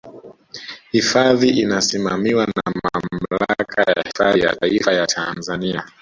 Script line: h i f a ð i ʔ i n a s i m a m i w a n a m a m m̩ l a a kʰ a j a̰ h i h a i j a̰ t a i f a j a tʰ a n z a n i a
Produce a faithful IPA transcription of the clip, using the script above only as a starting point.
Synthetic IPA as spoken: h i f a ð i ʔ i n a s i m a m i w a n a m a m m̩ l a a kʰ a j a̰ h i f a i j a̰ t a i f a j a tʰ a n z a n i a